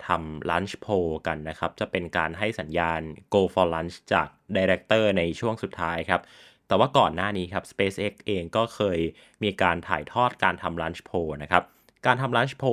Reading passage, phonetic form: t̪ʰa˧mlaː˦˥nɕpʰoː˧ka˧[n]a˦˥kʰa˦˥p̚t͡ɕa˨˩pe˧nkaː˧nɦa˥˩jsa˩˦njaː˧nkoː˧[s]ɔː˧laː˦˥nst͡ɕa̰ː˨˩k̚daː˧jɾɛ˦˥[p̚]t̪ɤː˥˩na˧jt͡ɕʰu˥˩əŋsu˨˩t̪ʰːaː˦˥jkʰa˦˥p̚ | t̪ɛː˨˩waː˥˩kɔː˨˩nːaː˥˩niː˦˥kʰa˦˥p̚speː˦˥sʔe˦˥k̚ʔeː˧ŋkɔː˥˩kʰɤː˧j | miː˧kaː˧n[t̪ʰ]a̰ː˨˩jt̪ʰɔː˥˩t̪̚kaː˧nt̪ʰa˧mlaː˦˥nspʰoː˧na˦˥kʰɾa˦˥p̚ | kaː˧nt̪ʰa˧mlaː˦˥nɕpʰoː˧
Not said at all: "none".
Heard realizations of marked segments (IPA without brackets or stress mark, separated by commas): nː, f, k̚, t̪ʰ